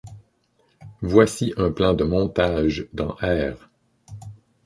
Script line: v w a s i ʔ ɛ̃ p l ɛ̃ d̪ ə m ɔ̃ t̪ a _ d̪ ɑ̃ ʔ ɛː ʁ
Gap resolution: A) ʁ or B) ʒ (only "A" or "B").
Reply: B